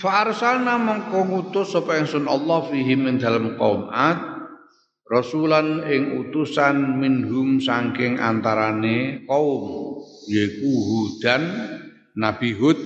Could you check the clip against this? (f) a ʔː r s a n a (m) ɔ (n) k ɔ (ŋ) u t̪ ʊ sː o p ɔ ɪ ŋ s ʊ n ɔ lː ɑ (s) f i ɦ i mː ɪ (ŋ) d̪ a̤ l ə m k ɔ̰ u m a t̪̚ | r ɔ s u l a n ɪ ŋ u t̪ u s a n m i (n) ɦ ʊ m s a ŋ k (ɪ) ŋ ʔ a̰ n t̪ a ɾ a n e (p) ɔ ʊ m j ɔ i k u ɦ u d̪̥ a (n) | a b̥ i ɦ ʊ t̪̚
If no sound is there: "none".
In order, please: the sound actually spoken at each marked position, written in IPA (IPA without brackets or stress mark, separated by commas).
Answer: f, m, ŋ, ŋ, h, n, n, ɪ, k, nː